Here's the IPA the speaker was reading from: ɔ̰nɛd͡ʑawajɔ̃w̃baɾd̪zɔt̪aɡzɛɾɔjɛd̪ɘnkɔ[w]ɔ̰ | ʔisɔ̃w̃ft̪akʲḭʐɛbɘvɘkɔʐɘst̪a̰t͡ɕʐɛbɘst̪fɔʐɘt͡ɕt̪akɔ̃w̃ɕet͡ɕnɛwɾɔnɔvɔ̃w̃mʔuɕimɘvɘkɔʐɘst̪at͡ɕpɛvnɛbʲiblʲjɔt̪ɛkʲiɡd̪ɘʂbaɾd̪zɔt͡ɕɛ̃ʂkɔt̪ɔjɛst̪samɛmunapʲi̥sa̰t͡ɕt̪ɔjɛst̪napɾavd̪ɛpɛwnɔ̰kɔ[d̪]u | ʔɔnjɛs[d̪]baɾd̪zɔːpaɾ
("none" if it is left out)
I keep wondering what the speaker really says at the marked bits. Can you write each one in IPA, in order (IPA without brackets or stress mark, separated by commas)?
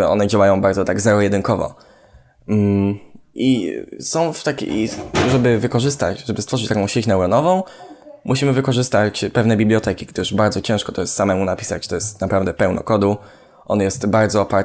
v, d̪, t̪